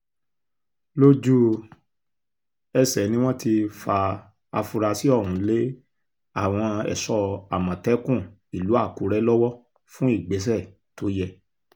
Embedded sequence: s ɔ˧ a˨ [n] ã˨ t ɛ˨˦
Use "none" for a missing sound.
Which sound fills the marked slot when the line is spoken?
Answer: m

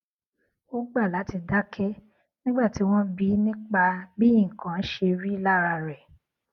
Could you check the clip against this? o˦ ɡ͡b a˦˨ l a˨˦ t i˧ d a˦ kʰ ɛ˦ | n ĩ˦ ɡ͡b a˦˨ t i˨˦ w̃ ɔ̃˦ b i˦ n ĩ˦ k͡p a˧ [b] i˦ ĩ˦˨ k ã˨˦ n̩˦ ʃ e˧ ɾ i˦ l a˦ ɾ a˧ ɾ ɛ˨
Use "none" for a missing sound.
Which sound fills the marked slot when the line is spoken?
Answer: b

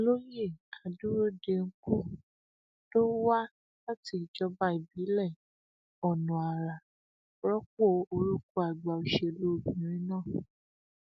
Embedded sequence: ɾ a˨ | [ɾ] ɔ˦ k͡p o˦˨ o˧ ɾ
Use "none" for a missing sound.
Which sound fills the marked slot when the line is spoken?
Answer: ɾ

